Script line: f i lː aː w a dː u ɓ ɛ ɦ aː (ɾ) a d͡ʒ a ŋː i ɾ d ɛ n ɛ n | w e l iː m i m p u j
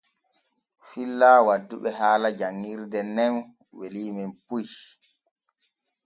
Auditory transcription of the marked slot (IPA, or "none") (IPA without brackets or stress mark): l